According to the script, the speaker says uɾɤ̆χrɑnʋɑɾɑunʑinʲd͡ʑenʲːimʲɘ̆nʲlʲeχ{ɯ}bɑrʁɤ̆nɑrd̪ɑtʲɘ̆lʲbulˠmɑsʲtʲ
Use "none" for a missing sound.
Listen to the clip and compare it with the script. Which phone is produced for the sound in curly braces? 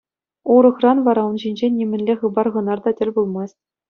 ɯ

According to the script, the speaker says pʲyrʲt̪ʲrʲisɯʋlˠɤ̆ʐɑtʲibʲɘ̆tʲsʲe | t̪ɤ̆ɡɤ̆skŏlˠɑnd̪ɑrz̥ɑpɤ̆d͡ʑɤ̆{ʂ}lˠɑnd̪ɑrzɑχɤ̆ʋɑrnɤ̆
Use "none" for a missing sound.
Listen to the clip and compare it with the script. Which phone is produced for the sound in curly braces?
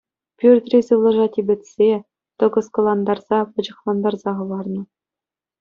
χ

